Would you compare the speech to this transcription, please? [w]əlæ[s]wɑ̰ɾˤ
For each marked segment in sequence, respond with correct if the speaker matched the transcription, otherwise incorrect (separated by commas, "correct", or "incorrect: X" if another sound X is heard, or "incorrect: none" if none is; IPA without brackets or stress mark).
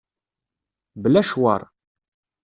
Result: incorrect: b, incorrect: ʃ